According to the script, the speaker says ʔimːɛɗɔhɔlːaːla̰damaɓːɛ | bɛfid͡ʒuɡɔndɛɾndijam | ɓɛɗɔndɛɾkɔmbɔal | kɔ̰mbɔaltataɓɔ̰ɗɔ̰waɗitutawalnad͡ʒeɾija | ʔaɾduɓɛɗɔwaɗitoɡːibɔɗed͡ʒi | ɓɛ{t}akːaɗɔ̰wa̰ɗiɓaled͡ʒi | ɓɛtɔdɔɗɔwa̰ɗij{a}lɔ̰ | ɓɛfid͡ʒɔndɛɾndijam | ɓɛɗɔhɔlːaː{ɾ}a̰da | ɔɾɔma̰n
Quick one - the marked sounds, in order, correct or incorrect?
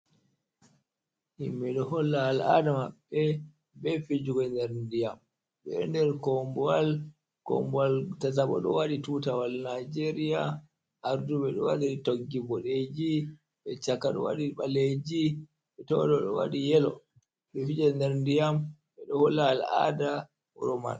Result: incorrect, incorrect, incorrect

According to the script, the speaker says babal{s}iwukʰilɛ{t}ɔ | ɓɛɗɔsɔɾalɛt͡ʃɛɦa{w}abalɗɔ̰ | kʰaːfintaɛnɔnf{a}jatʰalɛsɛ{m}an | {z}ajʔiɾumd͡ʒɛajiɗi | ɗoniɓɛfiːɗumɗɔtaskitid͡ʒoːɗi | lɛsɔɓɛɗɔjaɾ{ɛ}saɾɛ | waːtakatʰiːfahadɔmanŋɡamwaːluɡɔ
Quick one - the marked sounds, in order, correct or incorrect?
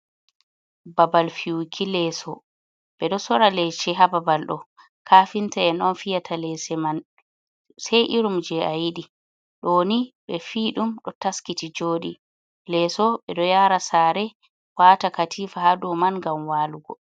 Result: incorrect, incorrect, incorrect, incorrect, correct, incorrect, incorrect

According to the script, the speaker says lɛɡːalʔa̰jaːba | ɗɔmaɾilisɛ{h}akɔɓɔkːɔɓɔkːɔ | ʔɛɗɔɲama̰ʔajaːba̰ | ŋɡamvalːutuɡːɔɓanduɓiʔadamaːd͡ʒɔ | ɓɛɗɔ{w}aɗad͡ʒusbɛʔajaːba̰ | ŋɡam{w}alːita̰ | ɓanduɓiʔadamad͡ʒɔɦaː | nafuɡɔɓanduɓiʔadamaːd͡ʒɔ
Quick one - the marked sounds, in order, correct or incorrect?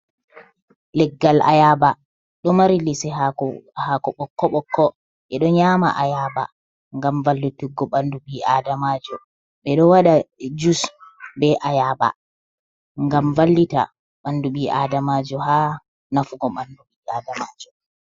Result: correct, correct, incorrect

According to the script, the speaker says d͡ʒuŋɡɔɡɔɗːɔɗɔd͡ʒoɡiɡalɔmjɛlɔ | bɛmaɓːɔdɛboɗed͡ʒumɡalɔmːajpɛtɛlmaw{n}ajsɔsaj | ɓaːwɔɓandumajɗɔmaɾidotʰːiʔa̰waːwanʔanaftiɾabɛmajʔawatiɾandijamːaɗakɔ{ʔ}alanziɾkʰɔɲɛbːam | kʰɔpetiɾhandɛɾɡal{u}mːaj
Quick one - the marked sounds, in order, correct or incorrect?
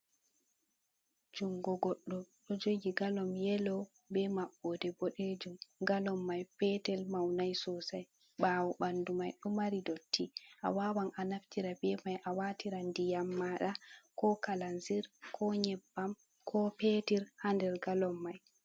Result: correct, incorrect, incorrect

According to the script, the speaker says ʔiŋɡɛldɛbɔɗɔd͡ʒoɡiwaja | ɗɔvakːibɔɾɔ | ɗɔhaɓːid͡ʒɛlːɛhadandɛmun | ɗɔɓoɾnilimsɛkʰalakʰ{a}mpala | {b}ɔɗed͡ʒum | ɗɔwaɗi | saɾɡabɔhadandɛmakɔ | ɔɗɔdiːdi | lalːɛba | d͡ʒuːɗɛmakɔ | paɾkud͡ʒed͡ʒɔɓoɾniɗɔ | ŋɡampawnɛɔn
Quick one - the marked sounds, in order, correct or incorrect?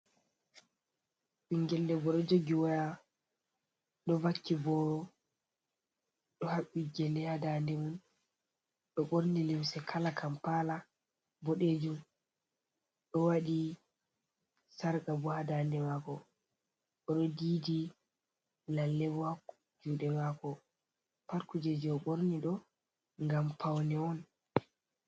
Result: correct, correct

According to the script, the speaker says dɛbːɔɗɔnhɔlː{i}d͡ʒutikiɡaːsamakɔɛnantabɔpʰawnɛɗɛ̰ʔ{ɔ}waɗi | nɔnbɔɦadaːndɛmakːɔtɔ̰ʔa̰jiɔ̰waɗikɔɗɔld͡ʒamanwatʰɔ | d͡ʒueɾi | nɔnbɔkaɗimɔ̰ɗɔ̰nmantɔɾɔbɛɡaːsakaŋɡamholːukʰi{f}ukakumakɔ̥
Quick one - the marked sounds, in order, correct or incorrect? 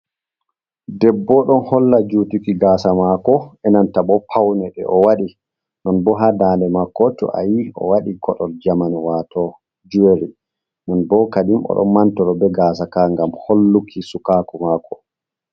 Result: incorrect, correct, incorrect

